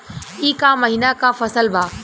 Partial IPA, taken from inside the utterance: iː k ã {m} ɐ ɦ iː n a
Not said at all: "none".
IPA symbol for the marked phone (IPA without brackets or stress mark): m